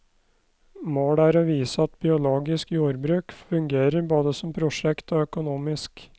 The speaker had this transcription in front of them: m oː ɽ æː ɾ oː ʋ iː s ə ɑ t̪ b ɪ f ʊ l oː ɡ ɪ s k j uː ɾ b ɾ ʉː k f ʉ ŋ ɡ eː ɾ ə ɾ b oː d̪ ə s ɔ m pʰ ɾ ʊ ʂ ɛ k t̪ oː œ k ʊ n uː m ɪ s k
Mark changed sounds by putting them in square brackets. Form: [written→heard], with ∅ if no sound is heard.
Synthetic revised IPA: m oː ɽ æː ɾ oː ʋ iː s ə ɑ t̪ b ɪ [f→∅] ʊ l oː ɡ ɪ s k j uː ɾ b ɾ ʉː k f ʉ ŋ ɡ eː ɾ ə ɾ b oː d̪ ə s ɔ m pʰ ɾ ʊ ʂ ɛ k t̪ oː œ k ʊ n uː m ɪ s k